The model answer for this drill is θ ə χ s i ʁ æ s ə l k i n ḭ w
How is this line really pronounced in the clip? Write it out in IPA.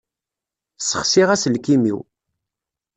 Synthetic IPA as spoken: s ə χ s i ʁ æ s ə l k i m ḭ w

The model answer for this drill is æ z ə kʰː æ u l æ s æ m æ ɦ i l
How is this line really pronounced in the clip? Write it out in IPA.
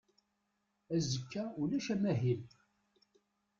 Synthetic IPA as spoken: æ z ə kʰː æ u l æ ʃ æ m æ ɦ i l

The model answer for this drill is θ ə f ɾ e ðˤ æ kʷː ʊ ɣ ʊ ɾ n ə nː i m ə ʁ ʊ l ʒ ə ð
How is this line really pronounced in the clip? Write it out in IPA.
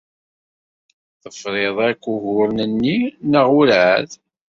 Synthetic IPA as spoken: θ ə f ɾ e ðˤ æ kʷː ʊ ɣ ʊ ɾ n ə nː i n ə ʁ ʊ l ʕ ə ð

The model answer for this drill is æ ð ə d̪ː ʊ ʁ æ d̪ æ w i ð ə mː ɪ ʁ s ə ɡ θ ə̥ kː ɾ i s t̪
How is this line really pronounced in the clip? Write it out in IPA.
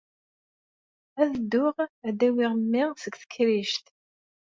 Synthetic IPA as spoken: æ ð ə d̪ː ʊ ʁ æ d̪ æ w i ʁ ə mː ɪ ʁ s ə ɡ θ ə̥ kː ɾ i ʃ t̪

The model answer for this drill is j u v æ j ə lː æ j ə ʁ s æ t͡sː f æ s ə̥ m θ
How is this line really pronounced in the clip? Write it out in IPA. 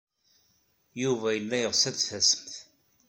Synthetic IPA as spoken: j u v æ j ə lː æ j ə ʁ s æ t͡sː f æ s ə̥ m θ

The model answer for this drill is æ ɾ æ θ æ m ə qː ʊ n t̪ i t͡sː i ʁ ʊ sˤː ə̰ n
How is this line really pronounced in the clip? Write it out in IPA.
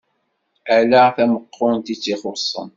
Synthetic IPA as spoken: æ l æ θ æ m ə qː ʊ n t̪ i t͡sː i χ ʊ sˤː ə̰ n

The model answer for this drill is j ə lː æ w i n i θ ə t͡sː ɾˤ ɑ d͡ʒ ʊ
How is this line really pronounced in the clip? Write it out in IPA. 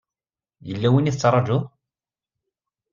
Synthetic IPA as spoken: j ə lː æ w i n i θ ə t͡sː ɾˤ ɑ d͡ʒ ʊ

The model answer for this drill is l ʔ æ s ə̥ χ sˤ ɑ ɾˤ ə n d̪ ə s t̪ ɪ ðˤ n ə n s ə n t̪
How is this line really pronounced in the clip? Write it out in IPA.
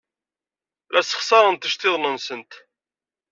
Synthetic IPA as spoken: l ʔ æ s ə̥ χ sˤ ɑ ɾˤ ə n t̪ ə ʃ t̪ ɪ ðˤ n ə n s ə n t̪

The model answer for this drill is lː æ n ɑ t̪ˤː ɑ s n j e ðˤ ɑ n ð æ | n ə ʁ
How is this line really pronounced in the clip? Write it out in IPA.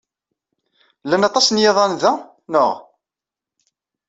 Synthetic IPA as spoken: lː æ n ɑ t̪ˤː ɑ s n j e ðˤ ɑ n ð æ | n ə ʁ

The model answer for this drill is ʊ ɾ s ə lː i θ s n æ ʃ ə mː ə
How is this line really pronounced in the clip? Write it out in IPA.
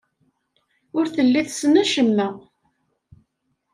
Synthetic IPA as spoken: ʊ ɾ θ ə lː i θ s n æ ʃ ə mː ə

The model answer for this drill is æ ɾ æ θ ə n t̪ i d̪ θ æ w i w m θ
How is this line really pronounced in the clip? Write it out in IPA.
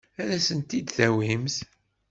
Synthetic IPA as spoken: æ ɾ æ s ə n t̪ i d̪ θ æ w i m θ

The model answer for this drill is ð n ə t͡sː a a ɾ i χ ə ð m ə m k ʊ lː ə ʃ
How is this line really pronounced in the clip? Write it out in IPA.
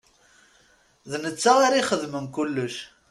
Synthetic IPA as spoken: ð n ə t͡sː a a ɾ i χ ə ð m ə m k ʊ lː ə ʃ

